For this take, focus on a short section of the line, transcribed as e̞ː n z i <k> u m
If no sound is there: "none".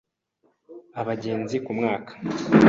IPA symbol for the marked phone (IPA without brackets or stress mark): k